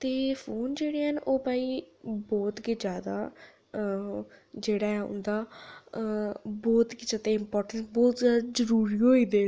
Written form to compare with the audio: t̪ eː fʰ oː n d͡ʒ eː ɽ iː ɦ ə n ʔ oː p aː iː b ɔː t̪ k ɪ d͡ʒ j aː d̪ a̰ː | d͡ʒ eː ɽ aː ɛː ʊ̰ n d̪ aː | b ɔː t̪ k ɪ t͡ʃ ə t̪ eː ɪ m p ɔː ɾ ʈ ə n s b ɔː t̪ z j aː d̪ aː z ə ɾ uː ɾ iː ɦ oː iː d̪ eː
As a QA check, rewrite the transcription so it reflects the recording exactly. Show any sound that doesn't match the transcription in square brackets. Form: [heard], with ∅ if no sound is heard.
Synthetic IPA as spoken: t̪ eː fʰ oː n d͡ʒ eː ɽ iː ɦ ə n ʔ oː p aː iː b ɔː t̪ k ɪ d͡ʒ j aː d̪ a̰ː | d͡ʒ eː ɽ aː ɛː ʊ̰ n d̪ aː | b ɔː t̪ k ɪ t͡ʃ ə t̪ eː ɪ m p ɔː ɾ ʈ ə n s b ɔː t̪ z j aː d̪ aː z ə ɾ uː ɾ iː ɦ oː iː d̪ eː